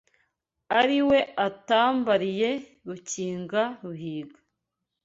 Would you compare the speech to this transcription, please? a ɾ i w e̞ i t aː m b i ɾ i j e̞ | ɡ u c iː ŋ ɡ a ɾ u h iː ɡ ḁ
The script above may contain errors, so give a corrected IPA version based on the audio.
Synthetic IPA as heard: a ɾ i w e̞ a t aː m b a ɾ i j e̞ | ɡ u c iː ŋ ɡ a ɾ u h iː ɡ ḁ